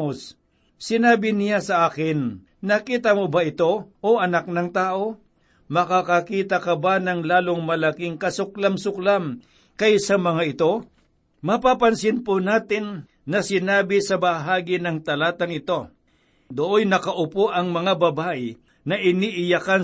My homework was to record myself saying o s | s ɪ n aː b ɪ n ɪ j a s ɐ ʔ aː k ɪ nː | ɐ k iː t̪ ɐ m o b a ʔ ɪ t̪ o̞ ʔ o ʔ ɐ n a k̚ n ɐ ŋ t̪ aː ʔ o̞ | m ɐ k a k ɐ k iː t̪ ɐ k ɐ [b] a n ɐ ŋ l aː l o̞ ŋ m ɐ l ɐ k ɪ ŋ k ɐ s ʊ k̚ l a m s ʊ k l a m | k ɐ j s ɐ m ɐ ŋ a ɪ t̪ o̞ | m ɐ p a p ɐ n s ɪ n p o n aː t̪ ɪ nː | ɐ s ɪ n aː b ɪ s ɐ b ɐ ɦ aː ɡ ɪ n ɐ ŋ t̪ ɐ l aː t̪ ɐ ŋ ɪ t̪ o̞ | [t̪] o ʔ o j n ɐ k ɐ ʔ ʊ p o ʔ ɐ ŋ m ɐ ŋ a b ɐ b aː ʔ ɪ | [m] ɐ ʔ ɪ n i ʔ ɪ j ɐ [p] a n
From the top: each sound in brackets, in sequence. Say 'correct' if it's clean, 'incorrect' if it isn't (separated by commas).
correct, incorrect, incorrect, incorrect